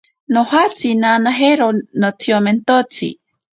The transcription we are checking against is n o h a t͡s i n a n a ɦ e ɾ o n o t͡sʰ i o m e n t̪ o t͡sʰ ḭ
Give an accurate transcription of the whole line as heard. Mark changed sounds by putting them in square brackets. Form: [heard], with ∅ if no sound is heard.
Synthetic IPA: n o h a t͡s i n a n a ɦ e ɾ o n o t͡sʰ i o m e n t̪ o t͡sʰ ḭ